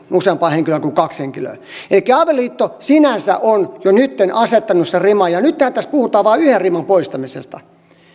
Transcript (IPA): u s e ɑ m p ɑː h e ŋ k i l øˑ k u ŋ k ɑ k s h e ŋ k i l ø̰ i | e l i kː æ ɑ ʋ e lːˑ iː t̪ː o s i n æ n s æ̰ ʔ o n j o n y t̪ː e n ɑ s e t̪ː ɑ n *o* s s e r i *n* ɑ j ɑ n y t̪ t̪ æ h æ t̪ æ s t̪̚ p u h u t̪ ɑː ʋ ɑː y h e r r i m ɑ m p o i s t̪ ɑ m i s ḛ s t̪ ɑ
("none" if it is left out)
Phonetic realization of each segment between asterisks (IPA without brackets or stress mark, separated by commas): u, m